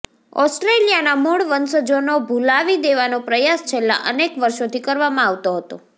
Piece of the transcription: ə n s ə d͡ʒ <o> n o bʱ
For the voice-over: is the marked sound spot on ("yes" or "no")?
yes